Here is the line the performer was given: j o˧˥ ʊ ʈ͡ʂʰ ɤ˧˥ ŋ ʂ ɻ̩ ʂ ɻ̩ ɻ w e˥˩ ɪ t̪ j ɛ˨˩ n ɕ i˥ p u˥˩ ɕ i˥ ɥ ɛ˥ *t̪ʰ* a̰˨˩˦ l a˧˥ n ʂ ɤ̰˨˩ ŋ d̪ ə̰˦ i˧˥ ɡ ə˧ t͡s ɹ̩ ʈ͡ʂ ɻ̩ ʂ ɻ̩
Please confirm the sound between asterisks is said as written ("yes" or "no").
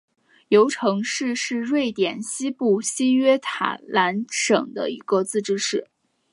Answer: yes